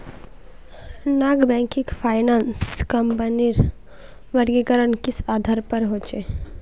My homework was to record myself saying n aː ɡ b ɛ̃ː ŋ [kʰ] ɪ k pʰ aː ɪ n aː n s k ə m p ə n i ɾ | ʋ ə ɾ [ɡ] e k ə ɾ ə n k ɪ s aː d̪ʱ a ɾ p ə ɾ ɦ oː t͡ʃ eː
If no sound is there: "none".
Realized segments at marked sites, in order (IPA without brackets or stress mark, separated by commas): k, ɡ